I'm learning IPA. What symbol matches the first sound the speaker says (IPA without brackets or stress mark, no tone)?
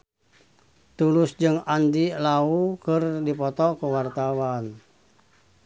t̪